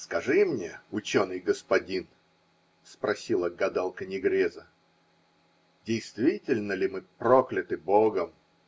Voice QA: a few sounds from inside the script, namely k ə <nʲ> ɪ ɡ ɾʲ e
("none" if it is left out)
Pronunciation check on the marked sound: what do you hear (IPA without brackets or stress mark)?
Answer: nʲ